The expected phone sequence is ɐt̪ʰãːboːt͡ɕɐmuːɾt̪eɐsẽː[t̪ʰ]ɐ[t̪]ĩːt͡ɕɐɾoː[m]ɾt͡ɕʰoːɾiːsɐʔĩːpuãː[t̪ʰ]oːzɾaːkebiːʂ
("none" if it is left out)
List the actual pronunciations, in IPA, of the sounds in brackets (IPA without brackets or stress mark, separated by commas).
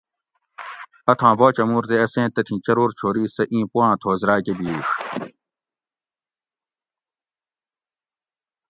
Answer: t̪, t̪ʰ, none, t̪ʰ